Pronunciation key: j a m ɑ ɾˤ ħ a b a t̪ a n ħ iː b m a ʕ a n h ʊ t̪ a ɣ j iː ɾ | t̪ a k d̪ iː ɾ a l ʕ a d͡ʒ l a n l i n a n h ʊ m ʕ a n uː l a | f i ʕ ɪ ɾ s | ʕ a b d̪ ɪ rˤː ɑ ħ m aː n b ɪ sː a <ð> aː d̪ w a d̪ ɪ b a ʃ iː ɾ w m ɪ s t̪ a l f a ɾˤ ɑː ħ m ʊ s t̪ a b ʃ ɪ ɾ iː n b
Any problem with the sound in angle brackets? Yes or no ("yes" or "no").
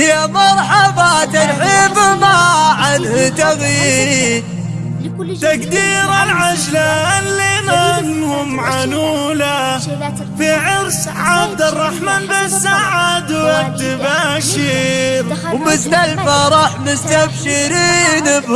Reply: yes